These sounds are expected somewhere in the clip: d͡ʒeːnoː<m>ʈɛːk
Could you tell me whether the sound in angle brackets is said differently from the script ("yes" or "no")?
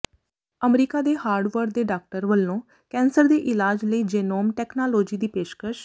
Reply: no